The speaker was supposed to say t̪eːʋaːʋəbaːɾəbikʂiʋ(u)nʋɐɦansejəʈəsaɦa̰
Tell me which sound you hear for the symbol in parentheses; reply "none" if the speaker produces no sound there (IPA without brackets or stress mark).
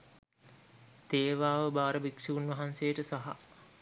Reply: u